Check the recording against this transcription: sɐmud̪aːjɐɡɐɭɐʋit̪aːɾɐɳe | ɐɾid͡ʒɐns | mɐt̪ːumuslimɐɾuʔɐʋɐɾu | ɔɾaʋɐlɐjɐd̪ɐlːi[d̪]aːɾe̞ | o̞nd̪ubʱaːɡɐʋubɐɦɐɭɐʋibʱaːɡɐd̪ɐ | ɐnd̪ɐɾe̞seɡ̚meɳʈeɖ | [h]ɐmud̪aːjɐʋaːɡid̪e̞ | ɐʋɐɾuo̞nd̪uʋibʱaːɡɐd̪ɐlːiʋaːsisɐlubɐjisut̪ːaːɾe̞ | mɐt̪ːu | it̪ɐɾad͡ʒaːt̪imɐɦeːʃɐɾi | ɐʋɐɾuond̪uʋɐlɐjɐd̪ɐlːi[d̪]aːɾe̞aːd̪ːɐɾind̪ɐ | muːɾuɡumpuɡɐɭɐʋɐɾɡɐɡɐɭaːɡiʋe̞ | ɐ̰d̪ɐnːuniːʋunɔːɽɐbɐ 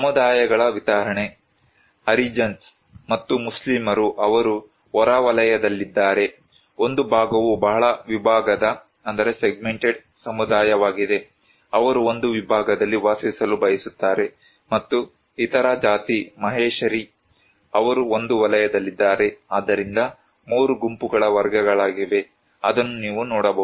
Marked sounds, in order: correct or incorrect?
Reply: incorrect: d̪ː, incorrect: s, incorrect: d̪ː

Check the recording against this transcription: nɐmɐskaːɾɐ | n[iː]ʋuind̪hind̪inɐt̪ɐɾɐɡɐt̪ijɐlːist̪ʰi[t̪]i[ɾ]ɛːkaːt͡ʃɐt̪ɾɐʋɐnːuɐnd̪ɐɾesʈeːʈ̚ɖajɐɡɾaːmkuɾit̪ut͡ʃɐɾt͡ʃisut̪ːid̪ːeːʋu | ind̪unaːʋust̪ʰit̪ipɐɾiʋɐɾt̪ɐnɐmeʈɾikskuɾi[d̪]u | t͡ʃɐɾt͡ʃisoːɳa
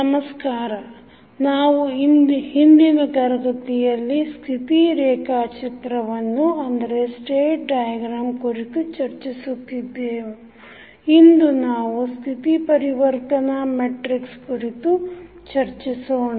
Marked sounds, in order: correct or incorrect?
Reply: incorrect: aː, correct, correct, incorrect: t̪

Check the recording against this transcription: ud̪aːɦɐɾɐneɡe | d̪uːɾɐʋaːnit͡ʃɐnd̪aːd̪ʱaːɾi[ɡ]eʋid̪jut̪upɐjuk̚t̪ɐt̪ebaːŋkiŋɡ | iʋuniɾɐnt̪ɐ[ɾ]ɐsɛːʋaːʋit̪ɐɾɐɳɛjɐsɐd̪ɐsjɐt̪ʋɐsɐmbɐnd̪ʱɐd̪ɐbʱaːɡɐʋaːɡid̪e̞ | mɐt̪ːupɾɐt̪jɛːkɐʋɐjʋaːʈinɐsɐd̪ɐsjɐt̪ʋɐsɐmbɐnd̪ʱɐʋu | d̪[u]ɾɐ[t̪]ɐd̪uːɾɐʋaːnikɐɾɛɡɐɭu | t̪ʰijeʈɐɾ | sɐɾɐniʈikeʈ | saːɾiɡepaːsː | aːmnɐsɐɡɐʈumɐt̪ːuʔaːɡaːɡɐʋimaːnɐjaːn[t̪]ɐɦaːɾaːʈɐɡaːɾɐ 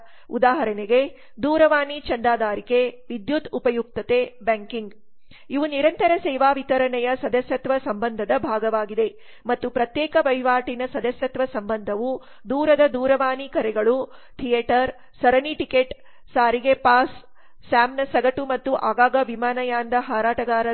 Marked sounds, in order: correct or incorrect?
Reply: incorrect: k, correct, incorrect: uː, incorrect: d̪, incorrect: d̪

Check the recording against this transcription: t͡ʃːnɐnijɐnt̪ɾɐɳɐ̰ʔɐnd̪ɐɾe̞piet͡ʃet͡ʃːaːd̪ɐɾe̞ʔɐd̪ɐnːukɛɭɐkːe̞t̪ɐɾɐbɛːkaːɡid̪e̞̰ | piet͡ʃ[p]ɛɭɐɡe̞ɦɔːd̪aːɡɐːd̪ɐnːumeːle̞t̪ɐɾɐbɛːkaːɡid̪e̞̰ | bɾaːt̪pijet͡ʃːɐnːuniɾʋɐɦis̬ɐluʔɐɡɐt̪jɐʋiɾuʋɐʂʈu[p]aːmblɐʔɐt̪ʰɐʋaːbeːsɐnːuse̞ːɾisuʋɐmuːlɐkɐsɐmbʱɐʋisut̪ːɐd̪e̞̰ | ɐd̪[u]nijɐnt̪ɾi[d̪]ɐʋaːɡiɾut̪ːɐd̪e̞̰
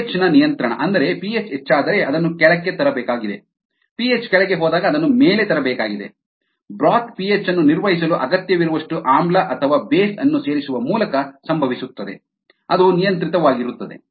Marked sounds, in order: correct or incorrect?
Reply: incorrect: k, incorrect: ʔ, correct, incorrect: t̪

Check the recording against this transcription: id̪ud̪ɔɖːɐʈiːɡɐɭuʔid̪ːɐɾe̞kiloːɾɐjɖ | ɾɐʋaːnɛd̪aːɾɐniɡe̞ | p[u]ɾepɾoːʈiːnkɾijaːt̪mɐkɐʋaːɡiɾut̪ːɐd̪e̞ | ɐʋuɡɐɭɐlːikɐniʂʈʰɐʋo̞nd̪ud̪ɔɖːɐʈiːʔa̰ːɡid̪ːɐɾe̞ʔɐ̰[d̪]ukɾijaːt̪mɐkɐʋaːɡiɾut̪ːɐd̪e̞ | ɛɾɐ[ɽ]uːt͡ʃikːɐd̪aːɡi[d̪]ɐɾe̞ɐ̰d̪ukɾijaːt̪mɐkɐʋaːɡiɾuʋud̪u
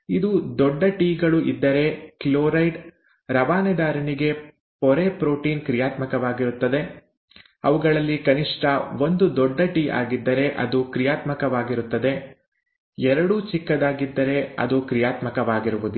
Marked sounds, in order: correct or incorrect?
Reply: incorrect: ɔ, correct, correct, incorrect: d̪ː

